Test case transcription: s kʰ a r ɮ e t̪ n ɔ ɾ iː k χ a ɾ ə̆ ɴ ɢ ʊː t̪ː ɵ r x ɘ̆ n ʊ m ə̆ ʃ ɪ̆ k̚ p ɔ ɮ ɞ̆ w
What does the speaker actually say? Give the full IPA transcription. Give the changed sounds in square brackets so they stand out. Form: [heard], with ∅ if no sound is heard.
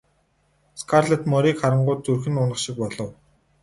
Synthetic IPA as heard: s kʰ a r ɮ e t̪ [m] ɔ ɾ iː k χ a ɾ ə̆ ɴ ɢ ʊː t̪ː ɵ r x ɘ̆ n ʊ [n] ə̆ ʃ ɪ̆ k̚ p ɔ ɮ ɞ̆ w